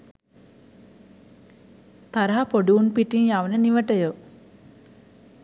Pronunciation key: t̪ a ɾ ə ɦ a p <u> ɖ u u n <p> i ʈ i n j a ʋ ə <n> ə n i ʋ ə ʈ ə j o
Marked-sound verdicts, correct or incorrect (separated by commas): incorrect, correct, correct